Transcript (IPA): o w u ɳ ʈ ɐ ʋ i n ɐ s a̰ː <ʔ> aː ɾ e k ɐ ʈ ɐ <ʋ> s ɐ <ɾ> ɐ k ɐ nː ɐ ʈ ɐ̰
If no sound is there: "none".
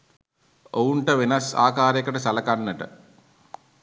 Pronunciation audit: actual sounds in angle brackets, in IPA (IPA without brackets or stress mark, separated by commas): k, none, l